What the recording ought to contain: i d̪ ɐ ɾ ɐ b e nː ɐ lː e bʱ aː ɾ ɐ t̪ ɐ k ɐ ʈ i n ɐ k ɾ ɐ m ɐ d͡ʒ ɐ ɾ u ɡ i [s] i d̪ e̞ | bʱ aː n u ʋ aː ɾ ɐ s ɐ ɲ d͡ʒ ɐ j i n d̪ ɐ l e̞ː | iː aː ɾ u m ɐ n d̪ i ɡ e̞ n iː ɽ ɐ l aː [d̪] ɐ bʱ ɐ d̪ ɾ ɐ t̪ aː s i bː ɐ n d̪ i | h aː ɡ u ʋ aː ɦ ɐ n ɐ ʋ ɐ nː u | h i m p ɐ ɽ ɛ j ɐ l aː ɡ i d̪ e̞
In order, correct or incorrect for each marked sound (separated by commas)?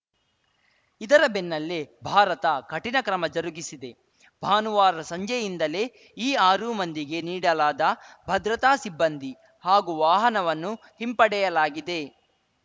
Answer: correct, correct